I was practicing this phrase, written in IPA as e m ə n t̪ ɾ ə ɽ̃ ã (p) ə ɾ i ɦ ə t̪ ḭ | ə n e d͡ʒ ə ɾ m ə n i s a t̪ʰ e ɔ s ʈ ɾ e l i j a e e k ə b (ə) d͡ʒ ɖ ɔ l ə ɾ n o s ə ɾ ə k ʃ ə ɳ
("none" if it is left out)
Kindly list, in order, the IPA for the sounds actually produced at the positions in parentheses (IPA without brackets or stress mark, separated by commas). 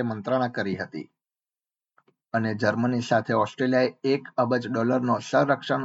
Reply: k, ə